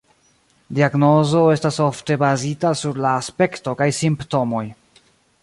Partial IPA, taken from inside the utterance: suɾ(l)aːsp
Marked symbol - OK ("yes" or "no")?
yes